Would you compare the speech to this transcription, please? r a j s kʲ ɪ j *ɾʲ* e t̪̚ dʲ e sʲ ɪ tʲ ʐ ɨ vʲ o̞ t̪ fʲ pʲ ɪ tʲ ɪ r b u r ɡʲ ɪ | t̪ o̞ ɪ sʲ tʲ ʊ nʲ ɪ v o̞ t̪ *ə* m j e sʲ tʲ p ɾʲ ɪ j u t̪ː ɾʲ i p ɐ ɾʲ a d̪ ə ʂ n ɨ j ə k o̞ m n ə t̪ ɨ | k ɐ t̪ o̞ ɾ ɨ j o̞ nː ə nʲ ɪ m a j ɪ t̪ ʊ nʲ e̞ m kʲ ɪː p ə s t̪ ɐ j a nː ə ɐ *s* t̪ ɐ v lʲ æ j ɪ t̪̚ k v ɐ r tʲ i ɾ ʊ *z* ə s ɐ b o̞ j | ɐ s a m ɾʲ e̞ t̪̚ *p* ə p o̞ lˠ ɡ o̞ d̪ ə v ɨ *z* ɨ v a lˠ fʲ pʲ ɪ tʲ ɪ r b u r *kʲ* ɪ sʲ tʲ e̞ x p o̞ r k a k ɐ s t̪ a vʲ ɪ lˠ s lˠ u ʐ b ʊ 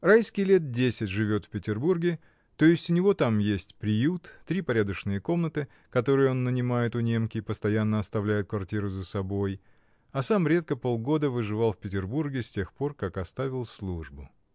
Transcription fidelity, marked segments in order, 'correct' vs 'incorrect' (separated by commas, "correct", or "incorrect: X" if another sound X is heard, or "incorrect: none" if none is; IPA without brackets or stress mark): incorrect: lʲ, incorrect: a, correct, correct, incorrect: k, incorrect: ʐ, incorrect: ɡʲ